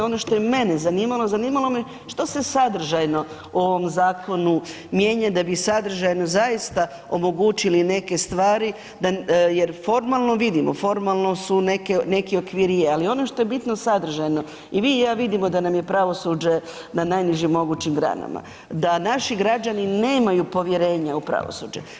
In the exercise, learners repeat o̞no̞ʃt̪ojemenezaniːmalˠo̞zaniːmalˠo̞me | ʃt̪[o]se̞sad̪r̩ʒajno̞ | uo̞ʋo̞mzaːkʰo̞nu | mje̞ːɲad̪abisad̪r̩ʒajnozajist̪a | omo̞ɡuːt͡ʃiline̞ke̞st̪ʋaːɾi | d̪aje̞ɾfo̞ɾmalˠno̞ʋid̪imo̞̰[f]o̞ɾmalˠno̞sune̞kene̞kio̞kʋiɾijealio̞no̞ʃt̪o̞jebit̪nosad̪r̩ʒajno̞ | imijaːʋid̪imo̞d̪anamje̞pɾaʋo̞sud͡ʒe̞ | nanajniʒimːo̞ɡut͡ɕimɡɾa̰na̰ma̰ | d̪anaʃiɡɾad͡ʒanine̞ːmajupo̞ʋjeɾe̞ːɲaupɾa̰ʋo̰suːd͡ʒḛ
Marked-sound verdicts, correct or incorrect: correct, correct

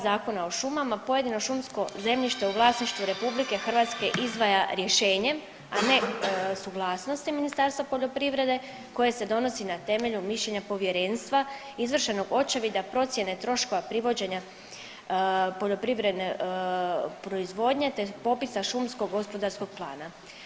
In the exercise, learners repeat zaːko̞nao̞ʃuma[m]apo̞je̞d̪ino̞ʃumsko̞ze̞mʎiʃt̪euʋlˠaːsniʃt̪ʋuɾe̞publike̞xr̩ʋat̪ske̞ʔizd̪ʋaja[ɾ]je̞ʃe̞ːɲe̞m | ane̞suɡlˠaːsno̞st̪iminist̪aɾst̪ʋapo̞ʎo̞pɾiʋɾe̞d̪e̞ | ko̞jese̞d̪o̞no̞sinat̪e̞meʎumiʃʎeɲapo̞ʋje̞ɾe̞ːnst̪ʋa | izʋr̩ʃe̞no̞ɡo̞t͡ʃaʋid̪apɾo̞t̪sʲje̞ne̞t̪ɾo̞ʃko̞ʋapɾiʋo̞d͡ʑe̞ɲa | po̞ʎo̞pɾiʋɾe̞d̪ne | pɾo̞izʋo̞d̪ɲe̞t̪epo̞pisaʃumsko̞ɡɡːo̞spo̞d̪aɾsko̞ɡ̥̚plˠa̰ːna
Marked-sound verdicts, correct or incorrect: correct, correct

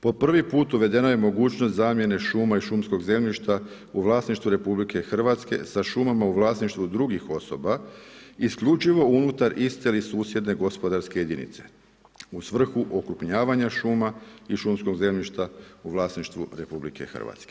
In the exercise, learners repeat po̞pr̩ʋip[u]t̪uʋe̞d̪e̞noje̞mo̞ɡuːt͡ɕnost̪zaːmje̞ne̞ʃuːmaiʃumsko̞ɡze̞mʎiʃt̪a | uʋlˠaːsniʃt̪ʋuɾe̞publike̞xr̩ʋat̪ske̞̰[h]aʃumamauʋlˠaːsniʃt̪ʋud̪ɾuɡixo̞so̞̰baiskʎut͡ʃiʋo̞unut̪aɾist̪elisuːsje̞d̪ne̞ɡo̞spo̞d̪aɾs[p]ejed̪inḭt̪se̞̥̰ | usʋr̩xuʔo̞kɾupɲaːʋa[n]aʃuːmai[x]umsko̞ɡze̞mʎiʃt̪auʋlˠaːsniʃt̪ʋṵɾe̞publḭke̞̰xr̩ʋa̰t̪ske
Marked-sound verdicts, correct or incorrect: incorrect: uː, incorrect: s, incorrect: k, incorrect: ɲ, incorrect: ʃ

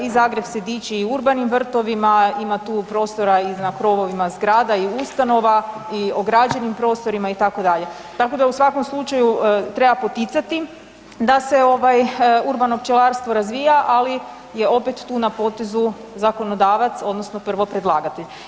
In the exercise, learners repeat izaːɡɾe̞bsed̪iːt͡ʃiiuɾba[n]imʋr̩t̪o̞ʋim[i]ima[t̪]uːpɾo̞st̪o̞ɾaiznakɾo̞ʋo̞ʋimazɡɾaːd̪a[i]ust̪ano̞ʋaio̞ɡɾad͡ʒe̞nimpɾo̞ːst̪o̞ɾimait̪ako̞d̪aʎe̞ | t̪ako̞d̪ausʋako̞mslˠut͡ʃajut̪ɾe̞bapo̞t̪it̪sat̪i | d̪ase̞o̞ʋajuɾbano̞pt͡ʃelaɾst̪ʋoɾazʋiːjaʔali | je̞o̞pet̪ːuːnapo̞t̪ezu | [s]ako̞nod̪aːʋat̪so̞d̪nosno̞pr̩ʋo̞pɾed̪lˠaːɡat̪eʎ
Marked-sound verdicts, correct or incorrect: correct, incorrect: a, correct, correct, incorrect: z

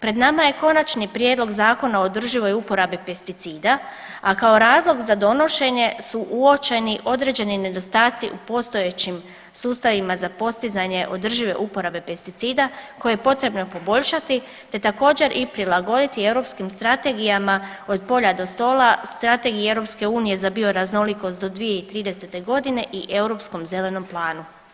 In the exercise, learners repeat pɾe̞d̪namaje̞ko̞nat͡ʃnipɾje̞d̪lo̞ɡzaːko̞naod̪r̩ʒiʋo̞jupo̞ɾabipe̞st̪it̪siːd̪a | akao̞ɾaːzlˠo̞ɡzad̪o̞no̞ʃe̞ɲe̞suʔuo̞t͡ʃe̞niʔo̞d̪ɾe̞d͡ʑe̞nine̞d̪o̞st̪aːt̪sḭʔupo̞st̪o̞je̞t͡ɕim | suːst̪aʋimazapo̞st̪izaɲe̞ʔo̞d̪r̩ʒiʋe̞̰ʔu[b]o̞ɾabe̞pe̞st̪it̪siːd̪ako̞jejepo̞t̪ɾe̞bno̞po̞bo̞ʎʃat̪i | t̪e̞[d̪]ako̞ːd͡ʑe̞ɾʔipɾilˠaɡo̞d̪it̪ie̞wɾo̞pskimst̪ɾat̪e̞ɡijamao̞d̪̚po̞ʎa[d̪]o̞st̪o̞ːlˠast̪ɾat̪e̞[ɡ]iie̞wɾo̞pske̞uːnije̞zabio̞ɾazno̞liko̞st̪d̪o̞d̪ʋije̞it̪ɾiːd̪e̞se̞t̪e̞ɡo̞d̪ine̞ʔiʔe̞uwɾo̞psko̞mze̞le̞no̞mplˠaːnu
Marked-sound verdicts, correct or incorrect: incorrect: p, incorrect: t̪, correct, correct

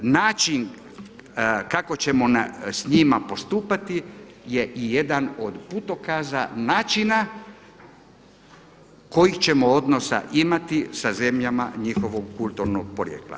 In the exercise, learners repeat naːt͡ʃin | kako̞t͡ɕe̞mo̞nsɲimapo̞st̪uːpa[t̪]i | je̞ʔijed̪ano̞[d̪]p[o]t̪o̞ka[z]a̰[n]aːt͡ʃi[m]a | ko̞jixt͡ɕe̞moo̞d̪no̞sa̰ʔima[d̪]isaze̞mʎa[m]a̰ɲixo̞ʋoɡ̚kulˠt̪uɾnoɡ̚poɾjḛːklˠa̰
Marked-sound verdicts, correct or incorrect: correct, correct, incorrect: u, correct, correct, incorrect: n, incorrect: t̪, correct

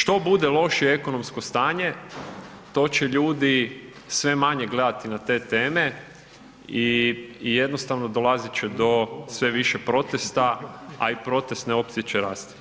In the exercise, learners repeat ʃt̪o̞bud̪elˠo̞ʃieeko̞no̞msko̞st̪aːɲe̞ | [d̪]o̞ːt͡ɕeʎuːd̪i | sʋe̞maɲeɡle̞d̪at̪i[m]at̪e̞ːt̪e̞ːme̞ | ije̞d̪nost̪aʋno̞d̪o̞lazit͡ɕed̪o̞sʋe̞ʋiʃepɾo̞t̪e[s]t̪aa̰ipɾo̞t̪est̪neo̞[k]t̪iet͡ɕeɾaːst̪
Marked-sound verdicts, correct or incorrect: incorrect: t̪, incorrect: n, correct, incorrect: p

